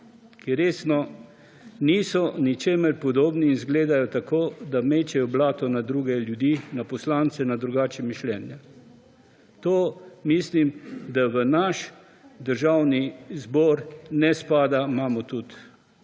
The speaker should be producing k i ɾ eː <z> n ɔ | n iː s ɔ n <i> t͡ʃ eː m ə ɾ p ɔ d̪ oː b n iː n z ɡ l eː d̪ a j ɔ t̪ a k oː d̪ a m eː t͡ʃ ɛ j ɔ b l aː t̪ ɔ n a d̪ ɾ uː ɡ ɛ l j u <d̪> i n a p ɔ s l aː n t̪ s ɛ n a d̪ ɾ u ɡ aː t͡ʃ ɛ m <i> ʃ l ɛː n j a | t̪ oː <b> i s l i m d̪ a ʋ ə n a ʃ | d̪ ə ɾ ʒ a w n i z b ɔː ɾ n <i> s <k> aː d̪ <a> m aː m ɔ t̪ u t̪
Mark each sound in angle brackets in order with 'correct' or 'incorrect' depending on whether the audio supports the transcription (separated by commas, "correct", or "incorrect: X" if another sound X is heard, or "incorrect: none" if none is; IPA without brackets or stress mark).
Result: incorrect: s, correct, correct, correct, incorrect: m, incorrect: ɛ, incorrect: p, correct